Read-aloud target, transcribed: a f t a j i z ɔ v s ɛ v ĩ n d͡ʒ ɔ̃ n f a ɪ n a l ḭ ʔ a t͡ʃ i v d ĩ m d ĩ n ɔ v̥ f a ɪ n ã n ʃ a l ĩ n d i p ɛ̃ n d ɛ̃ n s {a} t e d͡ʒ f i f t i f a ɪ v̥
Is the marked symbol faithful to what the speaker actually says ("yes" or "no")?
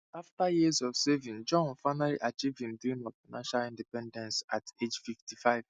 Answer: yes